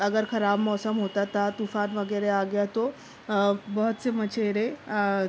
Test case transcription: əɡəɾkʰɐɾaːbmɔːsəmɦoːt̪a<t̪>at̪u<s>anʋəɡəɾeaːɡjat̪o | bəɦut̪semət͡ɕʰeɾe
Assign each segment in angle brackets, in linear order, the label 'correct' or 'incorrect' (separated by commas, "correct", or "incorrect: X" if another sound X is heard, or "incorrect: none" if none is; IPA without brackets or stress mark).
correct, incorrect: f